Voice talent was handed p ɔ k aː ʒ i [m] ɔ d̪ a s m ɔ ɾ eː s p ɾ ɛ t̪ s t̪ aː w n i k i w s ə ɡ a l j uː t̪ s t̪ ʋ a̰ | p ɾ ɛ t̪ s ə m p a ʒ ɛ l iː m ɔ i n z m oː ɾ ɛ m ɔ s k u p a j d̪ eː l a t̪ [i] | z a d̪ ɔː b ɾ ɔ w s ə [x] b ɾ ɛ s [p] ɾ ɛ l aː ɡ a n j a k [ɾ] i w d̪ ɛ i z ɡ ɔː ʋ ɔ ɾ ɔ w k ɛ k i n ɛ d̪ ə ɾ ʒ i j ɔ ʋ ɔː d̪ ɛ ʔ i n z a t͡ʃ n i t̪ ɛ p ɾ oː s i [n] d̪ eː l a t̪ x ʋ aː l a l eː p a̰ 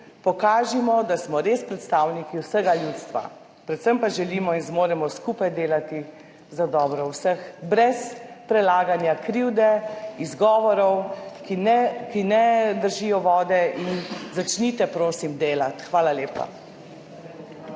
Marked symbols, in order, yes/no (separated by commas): yes, yes, yes, yes, yes, no